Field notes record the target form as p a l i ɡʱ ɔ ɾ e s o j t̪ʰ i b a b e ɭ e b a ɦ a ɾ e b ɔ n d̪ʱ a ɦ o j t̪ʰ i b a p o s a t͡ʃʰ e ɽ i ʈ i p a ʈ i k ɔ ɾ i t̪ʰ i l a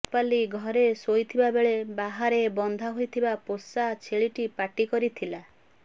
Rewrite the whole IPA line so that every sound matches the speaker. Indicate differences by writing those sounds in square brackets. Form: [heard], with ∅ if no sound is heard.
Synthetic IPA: p a l i ɡʱ ɔ ɾ e s o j t̪ʰ i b a b e ɭ e b a ɦ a ɾ e b ɔ n d̪ʱ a ɦ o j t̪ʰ i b a p o s a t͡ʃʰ e [ɭ] i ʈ i p a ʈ i k ɔ ɾ i t̪ʰ i l a